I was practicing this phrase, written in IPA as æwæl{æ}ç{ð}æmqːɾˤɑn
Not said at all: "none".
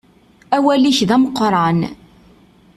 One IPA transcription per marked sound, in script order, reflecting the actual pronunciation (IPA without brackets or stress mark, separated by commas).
i, ð